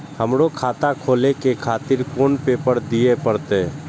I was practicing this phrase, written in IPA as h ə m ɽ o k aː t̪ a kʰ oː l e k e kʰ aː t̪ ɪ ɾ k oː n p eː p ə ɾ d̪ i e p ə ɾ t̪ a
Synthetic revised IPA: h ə m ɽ o kʰ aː t̪ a kʰ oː l e k e kʰ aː t̪ ɪ ɾ k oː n p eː p ə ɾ d̪ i e p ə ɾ t̪ e